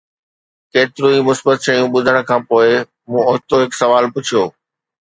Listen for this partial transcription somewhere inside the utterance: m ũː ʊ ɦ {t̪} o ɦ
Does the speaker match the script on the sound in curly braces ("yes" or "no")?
yes